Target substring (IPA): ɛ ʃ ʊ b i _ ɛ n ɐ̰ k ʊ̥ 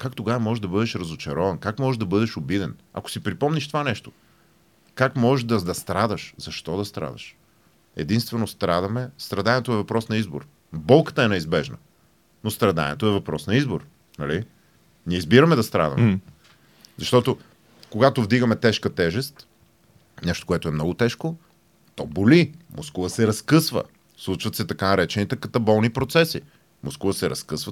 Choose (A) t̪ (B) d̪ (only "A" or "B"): B